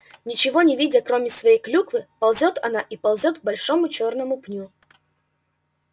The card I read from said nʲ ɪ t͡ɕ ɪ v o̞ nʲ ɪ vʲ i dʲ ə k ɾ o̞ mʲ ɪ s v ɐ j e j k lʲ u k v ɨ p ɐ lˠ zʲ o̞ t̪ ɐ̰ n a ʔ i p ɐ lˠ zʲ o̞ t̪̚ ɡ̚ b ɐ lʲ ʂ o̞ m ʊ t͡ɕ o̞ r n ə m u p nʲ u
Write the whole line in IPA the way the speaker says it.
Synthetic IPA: nʲ ɪ t͡ɕ ɪ v o̞ nʲ ɪ vʲ i dʲ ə k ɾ o̞ mʲ ɪ s v ɐ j e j k lʲ u k v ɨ p ɐ lˠ zʲ o̞ t̪ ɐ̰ n a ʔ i p ɐ lˠ zʲ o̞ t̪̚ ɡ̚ b ɐ lʲ ʂ o̞ m ʊ t͡ɕ o̞ r n ə m ʊ p nʲ u